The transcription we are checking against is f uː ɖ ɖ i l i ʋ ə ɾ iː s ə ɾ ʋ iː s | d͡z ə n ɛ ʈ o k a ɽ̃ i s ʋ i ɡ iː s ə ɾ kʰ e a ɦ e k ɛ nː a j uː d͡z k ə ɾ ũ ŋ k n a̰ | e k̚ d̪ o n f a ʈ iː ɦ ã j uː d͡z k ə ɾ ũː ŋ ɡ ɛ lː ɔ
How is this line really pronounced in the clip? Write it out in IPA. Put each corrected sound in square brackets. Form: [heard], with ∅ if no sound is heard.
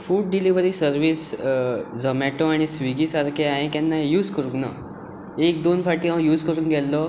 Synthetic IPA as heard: f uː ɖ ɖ i l i ʋ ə ɾ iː s ə ɾ ʋ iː s | d͡z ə [m] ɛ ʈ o [∅] a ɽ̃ i s ʋ i ɡ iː s [a] ɾ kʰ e a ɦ e k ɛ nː a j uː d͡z k ə ɾ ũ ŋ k n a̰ | e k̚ d̪ o n f a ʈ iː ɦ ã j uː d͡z k ə ɾ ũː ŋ ɡ ɛ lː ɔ

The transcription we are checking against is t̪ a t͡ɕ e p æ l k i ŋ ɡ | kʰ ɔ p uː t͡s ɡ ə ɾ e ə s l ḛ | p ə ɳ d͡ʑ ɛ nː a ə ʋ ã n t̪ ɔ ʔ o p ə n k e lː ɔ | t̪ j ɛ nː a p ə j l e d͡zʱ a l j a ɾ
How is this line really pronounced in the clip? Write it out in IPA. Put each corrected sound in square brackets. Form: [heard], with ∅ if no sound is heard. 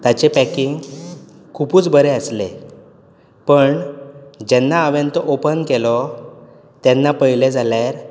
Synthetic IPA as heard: t̪ a t͡ɕ e p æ [∅] k i ŋ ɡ | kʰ [u] p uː t͡s [b] ə ɾ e ə s l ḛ | p ə ɳ d͡ʑ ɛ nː a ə ʋ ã n t̪ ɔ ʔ o p ə n k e [l] ɔ | t̪ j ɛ nː a p ə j l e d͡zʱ a l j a ɾ

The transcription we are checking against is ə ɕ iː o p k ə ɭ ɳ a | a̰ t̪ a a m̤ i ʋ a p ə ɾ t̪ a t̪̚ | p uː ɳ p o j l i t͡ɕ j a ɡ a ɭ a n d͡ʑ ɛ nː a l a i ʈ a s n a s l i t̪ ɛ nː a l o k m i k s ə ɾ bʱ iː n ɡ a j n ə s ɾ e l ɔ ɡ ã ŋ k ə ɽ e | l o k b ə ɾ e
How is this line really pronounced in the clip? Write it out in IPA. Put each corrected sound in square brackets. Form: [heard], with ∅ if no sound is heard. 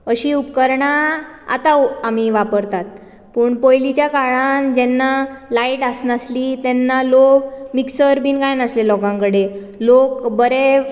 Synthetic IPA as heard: ə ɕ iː [u] p k ə [ɾ] ɳ a | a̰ t̪ a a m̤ i ʋ a p ə ɾ t̪ a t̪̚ | p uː ɳ p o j l i t͡ɕ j a [k] a ɭ a n d͡ʑ ɛ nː a l a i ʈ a s n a s l i t̪ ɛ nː a l o k m i k s ə ɾ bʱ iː n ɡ a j n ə s [l] e l ɔ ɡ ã ŋ k ə ɽ e | l o k b ə ɾ e

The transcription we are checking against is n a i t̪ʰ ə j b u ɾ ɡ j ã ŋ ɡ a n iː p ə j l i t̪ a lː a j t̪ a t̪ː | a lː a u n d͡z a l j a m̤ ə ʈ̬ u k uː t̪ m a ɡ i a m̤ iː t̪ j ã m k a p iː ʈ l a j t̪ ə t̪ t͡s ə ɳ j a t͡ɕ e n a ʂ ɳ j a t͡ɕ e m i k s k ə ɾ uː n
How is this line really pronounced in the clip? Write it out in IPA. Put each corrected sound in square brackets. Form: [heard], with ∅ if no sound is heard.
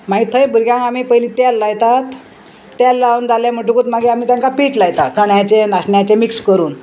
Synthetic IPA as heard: [m] a i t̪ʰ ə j b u ɾ ɡ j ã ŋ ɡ a [m] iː p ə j l i t̪ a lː a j t̪ a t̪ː | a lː a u n d͡z a l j a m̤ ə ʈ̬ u k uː t̪ m a ɡ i a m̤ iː t̪ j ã [ŋ] k a p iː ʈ l a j t̪ [a] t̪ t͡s ə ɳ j a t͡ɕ e n a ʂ ɳ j a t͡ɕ e m i k s k ə ɾ uː n

